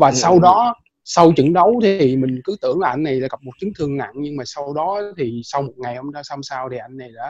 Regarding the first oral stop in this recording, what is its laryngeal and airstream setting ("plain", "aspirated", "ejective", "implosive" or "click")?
implosive